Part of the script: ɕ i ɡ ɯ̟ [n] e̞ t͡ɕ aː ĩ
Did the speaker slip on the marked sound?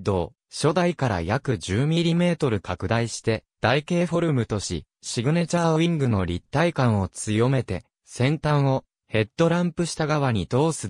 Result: no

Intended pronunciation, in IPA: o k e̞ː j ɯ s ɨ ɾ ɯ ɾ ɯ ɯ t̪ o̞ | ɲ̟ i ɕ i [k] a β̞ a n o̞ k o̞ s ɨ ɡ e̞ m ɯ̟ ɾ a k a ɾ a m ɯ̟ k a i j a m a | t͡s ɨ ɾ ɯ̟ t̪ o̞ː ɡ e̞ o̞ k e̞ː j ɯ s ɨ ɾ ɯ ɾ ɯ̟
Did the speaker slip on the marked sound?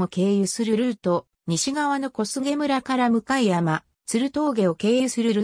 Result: yes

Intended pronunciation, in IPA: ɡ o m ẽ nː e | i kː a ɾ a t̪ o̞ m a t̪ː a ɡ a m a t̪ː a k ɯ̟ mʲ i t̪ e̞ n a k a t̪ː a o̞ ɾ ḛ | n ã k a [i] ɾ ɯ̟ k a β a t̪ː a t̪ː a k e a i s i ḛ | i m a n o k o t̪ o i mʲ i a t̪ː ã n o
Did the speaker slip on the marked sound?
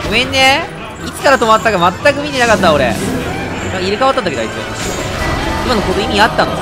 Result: no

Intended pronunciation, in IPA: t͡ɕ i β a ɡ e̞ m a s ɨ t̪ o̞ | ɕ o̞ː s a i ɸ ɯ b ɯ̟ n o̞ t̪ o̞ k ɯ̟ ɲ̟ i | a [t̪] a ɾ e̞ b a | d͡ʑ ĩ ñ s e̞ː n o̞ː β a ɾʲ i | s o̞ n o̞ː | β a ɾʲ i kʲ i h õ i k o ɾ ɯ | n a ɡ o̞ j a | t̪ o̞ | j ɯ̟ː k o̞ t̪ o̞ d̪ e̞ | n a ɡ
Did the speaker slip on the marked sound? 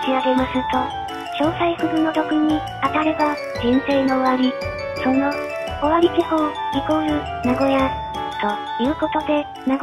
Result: no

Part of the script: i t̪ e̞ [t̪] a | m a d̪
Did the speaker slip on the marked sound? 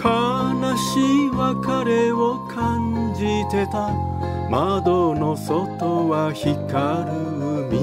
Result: no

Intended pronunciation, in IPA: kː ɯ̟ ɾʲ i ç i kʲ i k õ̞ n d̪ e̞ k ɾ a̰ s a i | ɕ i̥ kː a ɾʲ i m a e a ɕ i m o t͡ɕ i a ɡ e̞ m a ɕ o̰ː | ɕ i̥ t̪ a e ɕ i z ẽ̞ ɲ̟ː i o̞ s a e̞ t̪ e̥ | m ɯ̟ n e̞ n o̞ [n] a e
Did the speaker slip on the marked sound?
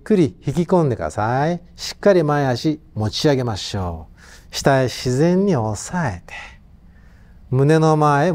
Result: yes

